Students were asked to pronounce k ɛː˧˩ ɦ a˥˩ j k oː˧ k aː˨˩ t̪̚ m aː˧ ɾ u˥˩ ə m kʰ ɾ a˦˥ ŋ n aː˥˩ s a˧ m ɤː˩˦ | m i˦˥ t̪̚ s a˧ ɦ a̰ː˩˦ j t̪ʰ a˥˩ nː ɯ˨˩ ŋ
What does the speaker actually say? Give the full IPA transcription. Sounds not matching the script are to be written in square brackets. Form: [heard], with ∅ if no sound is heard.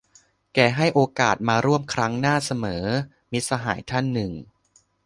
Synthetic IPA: k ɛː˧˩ ɦ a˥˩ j [ʔ] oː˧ k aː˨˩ t̪̚ m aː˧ ɾ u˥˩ ə m kʰ ɾ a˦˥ ŋ n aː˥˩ s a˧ m ɤː˩˦ | m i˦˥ t̪̚ s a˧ ɦ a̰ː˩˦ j t̪ʰ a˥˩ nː ɯ˨˩ ŋ

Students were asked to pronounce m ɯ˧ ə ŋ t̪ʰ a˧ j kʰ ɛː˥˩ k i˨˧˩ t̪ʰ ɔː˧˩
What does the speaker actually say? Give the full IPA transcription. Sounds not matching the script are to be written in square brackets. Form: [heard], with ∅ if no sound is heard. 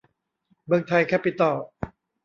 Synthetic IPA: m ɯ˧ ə ŋ t̪ʰ a˧ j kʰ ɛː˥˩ [p] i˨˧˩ [t̪] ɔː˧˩

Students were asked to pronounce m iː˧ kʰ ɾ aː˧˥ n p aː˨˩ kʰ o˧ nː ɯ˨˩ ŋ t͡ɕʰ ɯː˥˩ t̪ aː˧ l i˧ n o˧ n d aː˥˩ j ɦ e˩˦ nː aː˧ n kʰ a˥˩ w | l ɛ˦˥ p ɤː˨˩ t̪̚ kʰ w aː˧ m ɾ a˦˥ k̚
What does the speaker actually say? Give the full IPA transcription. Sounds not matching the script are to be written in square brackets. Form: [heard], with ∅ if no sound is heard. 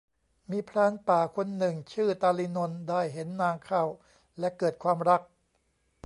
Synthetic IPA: m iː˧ [pʰ] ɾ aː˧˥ n p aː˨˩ kʰ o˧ nː ɯ˨˩ ŋ t͡ɕʰ ɯː˥˩ t̪ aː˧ l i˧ n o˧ n d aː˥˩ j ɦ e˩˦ nː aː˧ [ŋ] kʰ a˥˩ w | l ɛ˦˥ [k] ɤː˨˩ t̪̚ kʰ w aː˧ m ɾ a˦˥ k̚

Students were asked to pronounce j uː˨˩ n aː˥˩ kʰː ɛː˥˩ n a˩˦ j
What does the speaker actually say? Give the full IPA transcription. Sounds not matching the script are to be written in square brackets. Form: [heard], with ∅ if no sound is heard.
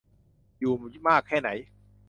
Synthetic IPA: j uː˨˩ [m] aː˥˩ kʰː ɛː˥˩ n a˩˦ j

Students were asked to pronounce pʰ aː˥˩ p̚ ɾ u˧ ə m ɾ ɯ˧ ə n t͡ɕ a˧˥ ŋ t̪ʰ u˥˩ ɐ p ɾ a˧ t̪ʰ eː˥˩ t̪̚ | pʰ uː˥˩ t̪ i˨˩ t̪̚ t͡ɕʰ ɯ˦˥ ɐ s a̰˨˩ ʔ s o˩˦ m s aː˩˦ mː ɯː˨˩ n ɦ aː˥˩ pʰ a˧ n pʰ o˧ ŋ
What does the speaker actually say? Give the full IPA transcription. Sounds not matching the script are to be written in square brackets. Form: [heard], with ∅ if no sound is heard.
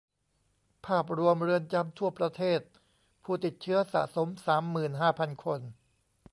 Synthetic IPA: pʰ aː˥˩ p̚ ɾ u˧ ə m ɾ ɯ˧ ə n t͡ɕ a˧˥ [m] t̪ʰ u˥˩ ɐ p ɾ a˧ t̪ʰ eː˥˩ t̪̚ | pʰ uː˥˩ t̪ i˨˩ t̪̚ t͡ɕʰ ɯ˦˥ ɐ s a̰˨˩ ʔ s o˩˦ m s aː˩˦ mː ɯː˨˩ n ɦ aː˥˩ pʰ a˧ n [kʰ] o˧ [n]

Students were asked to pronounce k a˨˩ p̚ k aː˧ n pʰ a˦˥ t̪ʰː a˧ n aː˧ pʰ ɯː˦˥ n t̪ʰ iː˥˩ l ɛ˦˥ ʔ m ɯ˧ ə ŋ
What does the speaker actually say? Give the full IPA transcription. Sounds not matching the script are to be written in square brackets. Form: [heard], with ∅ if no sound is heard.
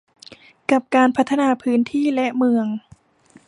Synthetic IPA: k a˨˩ p̚ k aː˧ n pʰ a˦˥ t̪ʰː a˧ n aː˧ pʰ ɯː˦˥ n t̪ʰ iː˥˩ l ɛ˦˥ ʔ m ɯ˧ ə ŋ

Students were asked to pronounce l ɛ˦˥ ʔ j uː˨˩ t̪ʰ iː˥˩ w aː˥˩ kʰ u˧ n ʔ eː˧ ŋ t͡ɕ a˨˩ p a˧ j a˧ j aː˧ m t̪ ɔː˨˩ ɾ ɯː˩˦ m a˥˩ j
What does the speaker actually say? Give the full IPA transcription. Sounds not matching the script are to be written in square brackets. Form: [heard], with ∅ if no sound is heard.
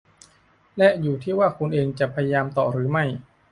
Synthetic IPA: l ɛ˦˥ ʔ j uː˨˩ t̪ʰ iː˥˩ w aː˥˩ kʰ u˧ n ʔ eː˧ ŋ t͡ɕ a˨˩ [pʰ] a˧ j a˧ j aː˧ m t̪ ɔː˨˩ ɾ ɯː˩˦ m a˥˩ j

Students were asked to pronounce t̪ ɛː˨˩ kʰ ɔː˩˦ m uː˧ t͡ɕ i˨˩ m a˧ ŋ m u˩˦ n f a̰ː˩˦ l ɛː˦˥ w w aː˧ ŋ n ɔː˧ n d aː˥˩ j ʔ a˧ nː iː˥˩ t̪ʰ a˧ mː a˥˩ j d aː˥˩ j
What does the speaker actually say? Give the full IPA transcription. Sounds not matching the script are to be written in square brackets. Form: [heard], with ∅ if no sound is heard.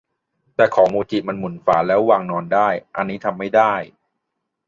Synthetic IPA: t̪ ɛː˨˩ kʰ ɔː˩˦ m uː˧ t͡ɕ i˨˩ m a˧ [n] m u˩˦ n f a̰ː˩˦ l ɛː˦˥ w w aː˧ ŋ n ɔː˧ n d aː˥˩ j ʔ a˧ nː [iː˦˥] t̪ʰ a˧ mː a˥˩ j d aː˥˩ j

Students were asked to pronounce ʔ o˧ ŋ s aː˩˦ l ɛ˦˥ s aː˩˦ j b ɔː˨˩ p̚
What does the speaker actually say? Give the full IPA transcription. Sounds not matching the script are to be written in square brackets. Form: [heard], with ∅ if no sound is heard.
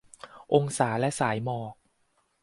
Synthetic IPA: ʔ o˧ ŋ s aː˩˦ l ɛ˦˥ s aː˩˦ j [m] ɔː˨˩ [k̚]

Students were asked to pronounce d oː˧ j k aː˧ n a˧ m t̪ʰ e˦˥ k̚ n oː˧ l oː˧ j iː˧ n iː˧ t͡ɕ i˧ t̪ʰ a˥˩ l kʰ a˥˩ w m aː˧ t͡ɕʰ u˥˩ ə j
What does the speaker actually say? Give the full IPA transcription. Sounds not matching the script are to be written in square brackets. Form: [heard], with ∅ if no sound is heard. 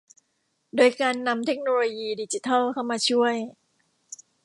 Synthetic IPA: d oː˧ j k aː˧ [nː] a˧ m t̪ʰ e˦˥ k̚ n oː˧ l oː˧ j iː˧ [d] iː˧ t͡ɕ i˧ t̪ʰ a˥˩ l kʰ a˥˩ w m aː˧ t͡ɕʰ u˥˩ ə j

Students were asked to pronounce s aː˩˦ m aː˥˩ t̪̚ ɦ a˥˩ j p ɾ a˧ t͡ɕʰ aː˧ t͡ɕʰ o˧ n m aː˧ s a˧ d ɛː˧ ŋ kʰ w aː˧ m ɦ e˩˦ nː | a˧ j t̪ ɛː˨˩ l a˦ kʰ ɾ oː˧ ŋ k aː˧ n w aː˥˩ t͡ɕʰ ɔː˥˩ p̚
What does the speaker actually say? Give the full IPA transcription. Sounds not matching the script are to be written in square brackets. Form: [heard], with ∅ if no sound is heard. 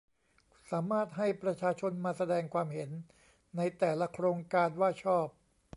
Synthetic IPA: s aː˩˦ m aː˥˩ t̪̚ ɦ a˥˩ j p ɾ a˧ t͡ɕʰ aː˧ t͡ɕʰ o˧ n m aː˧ s a˧ d ɛː˧ ŋ kʰ w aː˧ m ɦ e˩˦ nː | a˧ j t̪ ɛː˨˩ l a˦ kʰ ɾ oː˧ ŋ k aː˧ n w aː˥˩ t͡ɕʰ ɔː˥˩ p̚

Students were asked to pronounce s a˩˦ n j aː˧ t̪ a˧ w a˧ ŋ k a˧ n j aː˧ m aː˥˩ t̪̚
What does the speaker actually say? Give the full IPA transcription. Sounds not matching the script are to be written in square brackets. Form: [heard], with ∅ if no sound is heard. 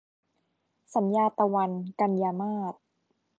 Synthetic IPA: s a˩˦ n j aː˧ t̪ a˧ w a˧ [n] k a˧ n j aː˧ m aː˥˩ t̪̚

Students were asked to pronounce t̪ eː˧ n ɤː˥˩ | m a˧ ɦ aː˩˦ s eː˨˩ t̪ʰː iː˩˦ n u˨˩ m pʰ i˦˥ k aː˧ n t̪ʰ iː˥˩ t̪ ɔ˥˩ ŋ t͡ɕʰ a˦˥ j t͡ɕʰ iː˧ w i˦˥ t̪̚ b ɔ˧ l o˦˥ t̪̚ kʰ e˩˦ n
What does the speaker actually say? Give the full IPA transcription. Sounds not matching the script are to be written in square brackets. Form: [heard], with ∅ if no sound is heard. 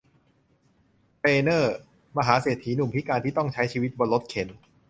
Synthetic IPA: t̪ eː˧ n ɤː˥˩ | m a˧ ɦ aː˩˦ s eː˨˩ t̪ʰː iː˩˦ n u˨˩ m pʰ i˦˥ k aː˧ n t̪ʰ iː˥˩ t̪ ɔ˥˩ ŋ t͡ɕʰ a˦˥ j t͡ɕʰ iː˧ w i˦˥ t̪̚ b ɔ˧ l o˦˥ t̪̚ kʰ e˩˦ n

